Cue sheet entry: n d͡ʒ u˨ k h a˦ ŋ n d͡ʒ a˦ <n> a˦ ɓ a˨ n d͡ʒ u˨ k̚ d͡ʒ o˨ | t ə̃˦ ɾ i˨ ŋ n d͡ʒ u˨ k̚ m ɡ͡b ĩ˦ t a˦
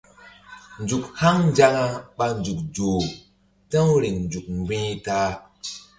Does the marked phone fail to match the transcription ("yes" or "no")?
yes